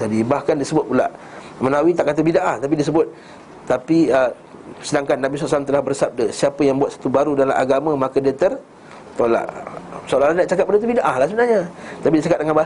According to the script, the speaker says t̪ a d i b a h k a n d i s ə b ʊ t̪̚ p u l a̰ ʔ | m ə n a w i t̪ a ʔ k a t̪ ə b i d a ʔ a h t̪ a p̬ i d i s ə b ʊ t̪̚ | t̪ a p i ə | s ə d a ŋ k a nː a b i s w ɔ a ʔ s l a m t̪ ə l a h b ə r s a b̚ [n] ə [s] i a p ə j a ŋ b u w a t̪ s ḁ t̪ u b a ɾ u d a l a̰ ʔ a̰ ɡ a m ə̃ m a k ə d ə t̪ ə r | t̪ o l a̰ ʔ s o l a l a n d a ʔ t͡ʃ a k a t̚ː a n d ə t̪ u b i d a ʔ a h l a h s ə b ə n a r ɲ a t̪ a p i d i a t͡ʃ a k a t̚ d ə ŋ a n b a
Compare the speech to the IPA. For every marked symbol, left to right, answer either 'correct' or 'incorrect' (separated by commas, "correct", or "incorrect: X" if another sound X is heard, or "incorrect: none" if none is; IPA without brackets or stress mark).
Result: incorrect: d, correct